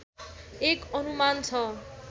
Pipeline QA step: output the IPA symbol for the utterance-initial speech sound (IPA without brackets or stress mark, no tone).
e